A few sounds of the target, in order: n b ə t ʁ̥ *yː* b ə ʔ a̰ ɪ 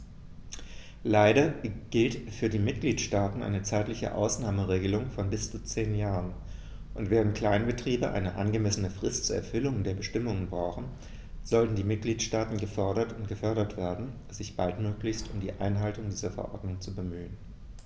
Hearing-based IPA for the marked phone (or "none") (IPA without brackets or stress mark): iː